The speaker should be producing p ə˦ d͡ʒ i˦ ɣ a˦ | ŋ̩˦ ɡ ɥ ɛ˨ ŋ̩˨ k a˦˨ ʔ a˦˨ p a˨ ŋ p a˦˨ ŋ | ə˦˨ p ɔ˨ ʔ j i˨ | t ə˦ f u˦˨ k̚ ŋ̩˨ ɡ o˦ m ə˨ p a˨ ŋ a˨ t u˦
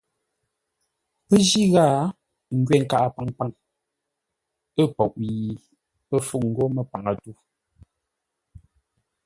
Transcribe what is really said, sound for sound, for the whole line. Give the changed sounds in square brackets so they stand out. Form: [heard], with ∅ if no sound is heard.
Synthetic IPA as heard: p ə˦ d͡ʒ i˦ ɣ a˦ | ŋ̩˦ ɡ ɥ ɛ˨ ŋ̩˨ k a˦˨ ʔ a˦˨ p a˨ ŋ p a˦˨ ŋ | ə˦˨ p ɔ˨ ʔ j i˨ | [p] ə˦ f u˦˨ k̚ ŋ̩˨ ɡ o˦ m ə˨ p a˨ ŋ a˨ t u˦